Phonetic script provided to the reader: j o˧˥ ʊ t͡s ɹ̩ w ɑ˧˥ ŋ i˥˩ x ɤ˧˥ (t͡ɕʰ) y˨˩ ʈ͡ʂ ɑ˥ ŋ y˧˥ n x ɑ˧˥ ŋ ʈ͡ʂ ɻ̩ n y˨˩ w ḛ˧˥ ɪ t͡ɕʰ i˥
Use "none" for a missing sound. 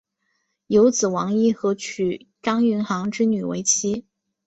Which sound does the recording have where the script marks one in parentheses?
t͡ɕʰ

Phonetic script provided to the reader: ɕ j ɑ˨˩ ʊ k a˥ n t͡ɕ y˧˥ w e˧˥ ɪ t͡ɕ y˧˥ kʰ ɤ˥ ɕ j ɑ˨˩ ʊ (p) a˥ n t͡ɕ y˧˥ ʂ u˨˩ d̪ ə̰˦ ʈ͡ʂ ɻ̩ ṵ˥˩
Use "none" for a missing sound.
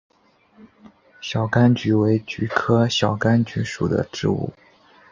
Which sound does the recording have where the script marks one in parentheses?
k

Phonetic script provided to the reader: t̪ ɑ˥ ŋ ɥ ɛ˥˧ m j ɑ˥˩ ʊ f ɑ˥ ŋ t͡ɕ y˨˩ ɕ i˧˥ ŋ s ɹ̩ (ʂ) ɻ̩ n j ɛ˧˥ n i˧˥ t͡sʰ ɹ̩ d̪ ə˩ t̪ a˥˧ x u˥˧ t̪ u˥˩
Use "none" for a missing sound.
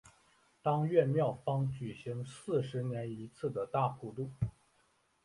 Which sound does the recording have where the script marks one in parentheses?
ʂ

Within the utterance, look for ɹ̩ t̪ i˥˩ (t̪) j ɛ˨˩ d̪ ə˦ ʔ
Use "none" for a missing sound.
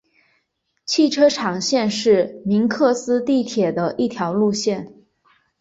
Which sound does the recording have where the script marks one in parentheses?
t̪ʰ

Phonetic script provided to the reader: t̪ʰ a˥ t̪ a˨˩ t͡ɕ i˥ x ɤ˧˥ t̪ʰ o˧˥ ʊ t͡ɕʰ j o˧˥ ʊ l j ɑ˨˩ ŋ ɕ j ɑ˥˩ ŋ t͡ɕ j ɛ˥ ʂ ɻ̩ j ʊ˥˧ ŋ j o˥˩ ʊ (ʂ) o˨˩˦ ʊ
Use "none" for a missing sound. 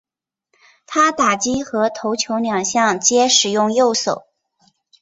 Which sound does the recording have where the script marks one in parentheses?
s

